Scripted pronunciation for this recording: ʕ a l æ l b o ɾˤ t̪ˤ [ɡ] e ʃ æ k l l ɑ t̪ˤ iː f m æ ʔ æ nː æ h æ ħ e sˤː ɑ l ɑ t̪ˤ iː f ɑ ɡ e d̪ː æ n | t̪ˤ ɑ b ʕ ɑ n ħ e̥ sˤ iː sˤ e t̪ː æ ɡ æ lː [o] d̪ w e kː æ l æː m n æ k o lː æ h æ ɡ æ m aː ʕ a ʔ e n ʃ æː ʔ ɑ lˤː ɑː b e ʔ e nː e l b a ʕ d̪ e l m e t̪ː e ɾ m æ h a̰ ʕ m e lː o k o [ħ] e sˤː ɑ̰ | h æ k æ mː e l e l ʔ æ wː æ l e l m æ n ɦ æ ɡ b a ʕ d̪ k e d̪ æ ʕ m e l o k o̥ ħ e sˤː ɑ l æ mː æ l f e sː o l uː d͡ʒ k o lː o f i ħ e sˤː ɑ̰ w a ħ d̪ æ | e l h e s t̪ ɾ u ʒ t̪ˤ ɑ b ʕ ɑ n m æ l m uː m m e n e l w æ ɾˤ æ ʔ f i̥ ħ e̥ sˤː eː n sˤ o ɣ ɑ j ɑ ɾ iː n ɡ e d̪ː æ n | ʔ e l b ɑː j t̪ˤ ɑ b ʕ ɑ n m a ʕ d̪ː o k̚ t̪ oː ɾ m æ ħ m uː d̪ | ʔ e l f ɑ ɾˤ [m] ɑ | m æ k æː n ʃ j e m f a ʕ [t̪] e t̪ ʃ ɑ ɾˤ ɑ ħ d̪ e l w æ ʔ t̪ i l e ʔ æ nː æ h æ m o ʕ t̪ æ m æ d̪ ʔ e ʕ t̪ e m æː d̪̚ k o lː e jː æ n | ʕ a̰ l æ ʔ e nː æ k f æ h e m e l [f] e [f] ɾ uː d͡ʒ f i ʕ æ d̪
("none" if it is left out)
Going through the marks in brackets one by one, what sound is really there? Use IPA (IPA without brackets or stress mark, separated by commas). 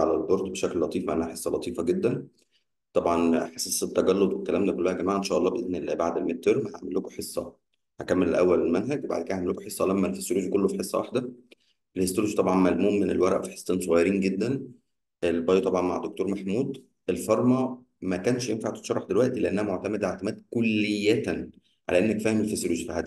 b, o, ħ, m, t̪, f, s